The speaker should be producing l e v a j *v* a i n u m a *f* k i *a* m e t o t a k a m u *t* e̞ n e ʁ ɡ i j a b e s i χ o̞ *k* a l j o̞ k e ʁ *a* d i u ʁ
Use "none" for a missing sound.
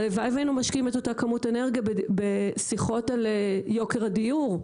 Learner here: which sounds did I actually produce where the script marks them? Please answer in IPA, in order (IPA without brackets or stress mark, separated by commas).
v, ʃ, i, t, t, a